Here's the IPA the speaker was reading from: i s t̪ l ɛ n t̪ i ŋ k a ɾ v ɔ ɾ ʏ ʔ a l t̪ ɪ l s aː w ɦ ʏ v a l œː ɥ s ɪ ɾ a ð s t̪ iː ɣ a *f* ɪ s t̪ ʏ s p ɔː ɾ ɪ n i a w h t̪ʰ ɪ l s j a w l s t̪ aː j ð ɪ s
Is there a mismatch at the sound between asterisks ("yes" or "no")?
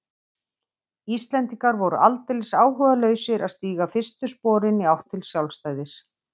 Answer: no